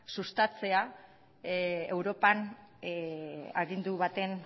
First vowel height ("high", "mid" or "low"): high